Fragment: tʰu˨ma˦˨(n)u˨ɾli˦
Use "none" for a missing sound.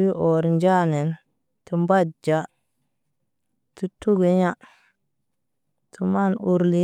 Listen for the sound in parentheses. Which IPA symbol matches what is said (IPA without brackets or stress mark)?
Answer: n